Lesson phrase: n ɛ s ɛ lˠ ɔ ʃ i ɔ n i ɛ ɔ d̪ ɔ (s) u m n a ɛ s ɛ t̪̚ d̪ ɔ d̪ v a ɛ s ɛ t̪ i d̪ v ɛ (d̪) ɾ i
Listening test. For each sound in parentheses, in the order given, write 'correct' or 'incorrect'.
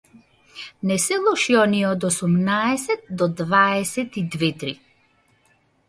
correct, incorrect

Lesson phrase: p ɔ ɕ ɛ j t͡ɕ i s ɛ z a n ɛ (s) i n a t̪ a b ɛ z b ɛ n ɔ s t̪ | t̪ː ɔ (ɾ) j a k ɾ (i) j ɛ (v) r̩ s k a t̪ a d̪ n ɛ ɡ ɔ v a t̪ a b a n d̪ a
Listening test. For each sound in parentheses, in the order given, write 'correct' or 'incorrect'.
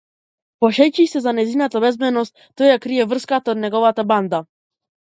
incorrect, incorrect, correct, correct

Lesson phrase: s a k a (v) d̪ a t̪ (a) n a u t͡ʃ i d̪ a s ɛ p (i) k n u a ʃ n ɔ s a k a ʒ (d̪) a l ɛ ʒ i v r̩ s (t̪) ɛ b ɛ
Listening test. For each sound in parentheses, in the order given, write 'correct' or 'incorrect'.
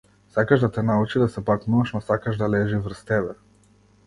incorrect, incorrect, incorrect, correct, correct

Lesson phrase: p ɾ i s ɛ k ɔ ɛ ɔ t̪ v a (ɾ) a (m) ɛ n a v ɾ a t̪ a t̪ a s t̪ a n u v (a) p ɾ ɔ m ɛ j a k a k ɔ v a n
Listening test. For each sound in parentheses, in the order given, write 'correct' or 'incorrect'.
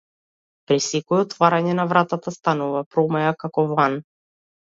correct, incorrect, correct

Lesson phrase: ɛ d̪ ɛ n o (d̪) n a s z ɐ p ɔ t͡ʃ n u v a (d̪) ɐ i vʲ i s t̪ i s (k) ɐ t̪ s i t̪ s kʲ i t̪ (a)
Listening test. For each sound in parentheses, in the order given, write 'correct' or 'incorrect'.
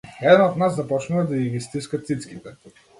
incorrect, correct, correct, incorrect

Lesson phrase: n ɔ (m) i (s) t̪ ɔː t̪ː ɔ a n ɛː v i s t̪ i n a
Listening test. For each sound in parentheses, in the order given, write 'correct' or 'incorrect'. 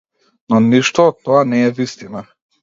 incorrect, incorrect

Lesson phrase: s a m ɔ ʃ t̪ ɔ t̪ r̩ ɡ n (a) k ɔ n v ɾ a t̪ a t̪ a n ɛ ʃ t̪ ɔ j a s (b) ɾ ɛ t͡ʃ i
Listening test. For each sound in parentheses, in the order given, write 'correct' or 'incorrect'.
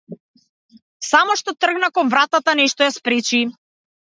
correct, incorrect

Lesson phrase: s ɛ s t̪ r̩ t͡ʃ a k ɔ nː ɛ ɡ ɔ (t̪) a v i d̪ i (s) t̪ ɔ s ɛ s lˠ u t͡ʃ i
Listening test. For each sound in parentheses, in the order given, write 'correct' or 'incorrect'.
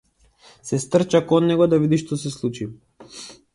incorrect, incorrect

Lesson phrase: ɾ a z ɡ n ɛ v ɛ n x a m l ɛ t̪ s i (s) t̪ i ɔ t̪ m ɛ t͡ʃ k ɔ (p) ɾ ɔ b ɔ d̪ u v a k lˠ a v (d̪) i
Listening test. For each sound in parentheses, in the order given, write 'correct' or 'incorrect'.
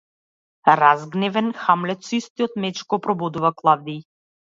correct, correct, correct

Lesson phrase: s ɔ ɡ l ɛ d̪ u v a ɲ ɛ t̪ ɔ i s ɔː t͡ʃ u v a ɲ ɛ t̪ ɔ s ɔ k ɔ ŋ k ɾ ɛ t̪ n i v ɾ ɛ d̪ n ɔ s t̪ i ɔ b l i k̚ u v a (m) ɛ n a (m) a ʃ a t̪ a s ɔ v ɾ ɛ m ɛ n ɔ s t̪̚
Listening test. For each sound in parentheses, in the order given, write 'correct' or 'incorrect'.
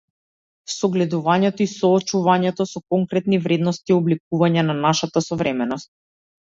incorrect, incorrect

